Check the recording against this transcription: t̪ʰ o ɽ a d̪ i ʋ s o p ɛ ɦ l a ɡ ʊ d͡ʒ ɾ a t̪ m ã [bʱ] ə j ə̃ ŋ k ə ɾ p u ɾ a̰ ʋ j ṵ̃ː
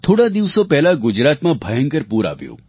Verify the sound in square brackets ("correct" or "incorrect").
correct